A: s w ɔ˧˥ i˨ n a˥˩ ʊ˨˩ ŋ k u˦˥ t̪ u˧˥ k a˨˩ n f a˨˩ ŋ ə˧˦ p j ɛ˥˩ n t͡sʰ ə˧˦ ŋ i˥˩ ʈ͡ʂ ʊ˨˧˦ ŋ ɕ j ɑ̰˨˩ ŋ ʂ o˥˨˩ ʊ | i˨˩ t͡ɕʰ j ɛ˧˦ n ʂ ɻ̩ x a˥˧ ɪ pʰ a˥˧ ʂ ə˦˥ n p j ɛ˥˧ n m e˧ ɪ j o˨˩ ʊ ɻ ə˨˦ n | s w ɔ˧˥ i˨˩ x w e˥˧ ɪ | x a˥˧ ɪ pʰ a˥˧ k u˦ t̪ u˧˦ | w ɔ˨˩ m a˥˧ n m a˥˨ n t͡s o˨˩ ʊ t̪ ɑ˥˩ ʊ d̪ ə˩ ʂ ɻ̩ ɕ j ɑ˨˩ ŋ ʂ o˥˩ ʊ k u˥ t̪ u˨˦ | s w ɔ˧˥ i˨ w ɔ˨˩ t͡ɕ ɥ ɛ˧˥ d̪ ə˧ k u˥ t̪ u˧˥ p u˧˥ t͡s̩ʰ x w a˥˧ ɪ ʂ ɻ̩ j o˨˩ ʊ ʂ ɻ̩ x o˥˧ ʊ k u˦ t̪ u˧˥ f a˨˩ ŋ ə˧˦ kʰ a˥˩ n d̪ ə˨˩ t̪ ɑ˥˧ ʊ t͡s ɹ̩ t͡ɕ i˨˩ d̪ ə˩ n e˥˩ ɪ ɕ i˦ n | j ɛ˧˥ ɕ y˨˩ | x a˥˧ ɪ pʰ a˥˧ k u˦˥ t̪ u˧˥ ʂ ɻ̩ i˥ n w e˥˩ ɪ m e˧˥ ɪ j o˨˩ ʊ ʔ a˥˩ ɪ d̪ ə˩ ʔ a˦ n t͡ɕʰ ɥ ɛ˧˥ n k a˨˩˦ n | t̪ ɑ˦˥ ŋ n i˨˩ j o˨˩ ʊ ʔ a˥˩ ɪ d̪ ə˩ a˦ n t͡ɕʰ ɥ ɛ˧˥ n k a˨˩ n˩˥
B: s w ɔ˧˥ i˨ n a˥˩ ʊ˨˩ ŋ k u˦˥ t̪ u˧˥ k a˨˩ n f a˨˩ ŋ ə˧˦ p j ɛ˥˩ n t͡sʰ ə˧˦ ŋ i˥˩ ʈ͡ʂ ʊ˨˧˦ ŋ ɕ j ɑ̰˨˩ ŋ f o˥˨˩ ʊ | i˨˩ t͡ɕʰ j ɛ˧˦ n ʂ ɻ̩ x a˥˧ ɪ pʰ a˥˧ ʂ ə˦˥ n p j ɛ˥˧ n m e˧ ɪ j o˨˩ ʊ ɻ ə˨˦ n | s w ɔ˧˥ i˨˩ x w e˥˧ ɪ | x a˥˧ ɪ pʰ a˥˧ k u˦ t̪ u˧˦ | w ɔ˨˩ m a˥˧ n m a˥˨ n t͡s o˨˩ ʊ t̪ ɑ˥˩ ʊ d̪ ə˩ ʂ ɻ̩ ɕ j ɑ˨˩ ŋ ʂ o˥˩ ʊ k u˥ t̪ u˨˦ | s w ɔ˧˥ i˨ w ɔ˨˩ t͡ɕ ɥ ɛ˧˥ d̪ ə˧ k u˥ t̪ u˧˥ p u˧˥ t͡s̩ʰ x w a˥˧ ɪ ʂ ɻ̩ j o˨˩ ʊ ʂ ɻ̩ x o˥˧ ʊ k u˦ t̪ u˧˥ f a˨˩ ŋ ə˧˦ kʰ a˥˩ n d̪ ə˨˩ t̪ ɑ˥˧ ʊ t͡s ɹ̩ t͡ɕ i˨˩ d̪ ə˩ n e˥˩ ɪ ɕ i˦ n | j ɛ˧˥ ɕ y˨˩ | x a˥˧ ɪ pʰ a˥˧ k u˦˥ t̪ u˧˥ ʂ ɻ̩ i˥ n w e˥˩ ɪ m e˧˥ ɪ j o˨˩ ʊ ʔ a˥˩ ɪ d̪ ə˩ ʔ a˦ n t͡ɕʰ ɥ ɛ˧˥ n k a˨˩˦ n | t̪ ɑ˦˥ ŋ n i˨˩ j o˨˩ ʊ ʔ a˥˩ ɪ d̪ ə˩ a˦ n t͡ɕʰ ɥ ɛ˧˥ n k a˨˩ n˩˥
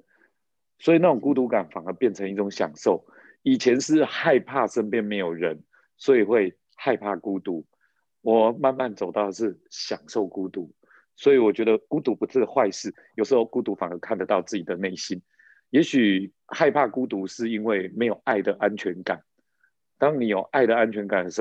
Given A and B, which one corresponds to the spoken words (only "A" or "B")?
A